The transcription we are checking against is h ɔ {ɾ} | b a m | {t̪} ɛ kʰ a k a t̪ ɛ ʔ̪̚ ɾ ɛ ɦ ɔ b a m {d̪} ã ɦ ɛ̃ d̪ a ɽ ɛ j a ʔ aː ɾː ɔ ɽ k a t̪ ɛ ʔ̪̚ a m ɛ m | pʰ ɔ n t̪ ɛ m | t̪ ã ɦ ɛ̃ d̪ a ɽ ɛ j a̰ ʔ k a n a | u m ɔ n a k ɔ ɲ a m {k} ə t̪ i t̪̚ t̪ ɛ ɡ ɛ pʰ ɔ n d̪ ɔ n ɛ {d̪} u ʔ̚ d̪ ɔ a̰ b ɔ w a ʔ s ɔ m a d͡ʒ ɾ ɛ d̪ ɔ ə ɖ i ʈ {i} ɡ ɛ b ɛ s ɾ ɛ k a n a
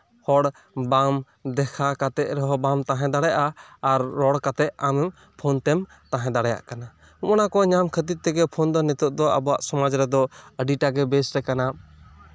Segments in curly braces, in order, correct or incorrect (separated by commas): incorrect, incorrect, incorrect, incorrect, incorrect, incorrect